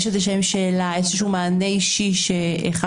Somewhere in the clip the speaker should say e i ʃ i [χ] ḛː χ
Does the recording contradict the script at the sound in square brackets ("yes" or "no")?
yes